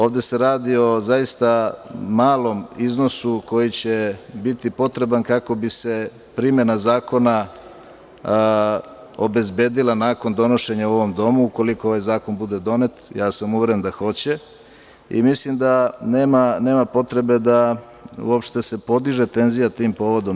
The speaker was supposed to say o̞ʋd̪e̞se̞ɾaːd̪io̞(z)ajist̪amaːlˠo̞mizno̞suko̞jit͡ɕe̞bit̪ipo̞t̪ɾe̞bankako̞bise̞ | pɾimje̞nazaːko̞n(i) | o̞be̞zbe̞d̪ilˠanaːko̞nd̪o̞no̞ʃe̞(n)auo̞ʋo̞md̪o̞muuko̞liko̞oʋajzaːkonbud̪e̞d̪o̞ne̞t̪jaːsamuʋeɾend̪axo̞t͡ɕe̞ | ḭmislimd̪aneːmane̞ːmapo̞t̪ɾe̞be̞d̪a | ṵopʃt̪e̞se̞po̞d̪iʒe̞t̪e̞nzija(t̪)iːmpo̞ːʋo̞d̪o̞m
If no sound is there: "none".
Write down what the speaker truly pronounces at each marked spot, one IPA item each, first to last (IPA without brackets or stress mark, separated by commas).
z, a, ɲ, t̪